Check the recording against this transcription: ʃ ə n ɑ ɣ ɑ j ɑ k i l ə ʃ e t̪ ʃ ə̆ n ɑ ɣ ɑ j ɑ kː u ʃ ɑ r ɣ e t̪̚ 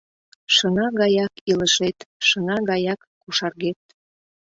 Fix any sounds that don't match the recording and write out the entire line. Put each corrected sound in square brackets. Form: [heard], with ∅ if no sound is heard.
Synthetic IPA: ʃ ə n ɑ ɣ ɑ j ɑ k i l ə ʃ e t̪ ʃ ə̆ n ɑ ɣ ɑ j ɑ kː u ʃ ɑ r ɣ e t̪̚